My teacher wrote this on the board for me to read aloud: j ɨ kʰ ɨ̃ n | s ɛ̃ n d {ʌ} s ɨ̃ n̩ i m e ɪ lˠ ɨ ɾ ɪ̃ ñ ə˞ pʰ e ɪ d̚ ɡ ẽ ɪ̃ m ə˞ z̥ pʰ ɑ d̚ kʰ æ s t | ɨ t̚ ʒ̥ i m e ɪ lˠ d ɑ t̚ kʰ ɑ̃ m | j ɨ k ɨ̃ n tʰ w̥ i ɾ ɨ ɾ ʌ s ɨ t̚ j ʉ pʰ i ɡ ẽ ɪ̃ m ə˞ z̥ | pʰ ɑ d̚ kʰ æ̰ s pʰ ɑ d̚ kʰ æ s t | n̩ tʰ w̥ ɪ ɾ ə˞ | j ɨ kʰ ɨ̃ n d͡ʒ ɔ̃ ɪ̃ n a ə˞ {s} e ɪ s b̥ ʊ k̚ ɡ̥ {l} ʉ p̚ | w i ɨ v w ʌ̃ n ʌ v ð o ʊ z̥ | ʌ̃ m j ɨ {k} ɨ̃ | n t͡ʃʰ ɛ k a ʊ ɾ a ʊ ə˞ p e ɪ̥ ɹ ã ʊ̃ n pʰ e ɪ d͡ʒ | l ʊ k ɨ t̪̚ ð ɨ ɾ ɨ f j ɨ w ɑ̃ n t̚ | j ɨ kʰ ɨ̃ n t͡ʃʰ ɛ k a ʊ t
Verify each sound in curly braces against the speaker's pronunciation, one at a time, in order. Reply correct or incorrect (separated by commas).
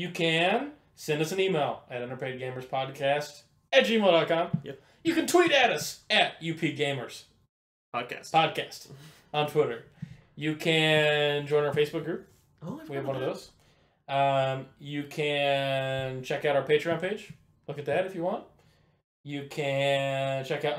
correct, incorrect, incorrect, incorrect